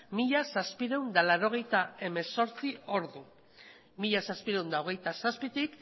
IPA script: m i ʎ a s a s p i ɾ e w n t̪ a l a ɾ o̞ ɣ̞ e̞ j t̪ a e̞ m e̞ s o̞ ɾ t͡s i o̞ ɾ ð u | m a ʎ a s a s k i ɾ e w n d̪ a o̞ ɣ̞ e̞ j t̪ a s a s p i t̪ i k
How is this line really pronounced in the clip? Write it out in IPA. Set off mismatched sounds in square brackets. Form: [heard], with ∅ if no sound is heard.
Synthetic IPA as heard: m i ʎ a s a s p i ɾ e w n [d̪] a l a ɾ o̞ ɣ̞ e̞ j t̪ a e̞ m e̞ s o̞ ɾ t͡s i o̞ ɾ ð u | m [i] ʎ a s a s [p] i ɾ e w n d̪ a o̞ ɣ̞ e̞ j t̪ a s a s p i t̪ i k